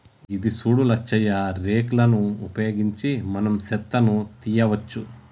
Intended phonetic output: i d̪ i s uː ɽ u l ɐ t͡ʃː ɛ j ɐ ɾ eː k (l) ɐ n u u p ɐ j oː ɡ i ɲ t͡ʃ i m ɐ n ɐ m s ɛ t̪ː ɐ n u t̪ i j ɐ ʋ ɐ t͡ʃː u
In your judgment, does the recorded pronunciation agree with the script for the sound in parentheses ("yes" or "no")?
yes